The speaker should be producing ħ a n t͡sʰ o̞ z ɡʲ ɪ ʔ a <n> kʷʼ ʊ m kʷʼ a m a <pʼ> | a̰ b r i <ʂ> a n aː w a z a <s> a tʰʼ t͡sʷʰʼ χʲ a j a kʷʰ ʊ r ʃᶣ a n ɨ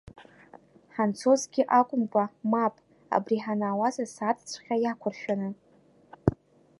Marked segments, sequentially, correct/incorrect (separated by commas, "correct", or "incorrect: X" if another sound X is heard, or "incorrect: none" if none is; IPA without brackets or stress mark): incorrect: none, correct, incorrect: ħ, correct